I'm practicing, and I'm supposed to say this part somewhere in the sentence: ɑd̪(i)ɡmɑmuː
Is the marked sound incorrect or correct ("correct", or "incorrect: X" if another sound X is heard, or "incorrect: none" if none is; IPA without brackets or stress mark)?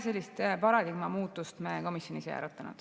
correct